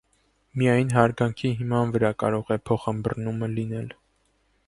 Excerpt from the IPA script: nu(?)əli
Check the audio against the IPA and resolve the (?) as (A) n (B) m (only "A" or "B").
B